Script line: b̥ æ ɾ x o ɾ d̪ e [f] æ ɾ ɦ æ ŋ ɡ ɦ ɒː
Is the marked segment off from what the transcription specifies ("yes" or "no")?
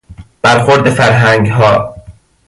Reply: no